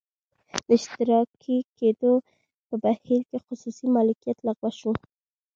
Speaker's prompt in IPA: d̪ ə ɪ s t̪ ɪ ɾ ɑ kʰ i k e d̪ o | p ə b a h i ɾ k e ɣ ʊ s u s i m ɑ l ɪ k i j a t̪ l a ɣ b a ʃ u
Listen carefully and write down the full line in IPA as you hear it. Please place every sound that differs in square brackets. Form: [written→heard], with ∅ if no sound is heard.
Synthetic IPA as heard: d̪ ə ɪ [s→ʃ] t̪ ɪ ɾ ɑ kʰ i k e d̪ o | p ə b a h i ɾ k e [ɣ→x] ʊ s u s i m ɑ l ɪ k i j a t̪ l a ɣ [b→w] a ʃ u